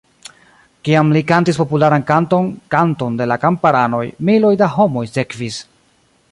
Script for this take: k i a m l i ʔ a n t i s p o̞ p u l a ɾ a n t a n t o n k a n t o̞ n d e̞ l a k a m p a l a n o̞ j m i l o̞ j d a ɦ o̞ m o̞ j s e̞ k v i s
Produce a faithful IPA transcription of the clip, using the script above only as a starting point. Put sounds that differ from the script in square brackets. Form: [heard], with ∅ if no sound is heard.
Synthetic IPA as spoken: k i a m l i [k] a n t i s p o̞ p u l a ɾ a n [k] a n t o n k a n t o̞ n d e̞ l a k a m p a [ɾ] a n o̞ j m i l o̞ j d a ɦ o̞ m o̞ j s e̞ k v i s